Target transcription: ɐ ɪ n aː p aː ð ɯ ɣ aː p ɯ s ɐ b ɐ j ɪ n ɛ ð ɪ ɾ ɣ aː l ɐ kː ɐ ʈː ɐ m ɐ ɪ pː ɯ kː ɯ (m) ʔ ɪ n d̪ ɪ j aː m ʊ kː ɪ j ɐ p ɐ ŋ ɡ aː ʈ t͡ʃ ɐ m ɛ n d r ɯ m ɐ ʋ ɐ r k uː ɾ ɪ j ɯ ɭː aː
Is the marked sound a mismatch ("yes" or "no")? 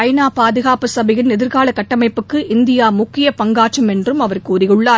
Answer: yes